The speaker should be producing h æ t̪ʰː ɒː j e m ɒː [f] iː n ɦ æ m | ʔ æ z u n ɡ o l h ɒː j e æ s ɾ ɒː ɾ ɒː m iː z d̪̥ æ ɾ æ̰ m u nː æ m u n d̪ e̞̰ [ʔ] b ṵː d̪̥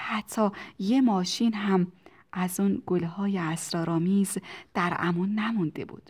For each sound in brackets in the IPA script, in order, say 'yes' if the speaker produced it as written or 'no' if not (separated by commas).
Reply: no, no